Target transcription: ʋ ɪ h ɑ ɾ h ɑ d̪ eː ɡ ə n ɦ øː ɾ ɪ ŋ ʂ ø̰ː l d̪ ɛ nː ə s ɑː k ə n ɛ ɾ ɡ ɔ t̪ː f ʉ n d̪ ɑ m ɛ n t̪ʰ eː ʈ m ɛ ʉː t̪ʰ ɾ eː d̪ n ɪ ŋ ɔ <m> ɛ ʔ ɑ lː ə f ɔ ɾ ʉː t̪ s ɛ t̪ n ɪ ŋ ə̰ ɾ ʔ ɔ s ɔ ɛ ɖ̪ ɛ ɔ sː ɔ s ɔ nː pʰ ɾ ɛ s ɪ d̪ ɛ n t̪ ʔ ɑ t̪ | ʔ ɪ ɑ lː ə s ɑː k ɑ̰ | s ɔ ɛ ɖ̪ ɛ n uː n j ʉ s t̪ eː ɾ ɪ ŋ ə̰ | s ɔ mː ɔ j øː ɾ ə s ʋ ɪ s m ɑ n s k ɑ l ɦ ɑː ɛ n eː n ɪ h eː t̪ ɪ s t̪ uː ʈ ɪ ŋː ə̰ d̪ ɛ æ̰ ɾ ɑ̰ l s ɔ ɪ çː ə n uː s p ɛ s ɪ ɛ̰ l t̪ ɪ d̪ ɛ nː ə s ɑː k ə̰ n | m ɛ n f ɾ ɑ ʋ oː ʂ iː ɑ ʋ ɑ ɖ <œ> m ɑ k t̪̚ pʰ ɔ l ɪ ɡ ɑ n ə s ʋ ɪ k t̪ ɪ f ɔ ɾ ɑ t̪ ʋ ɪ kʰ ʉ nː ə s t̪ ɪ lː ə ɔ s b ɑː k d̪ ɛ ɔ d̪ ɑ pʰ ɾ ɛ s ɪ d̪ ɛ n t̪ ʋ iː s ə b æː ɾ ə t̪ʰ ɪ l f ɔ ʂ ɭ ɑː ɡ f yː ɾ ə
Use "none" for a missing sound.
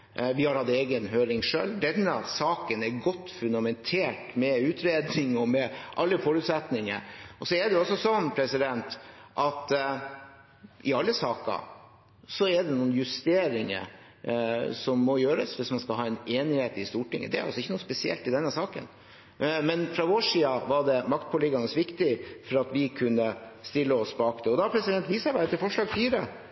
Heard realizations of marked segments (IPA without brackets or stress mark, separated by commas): m, ɛ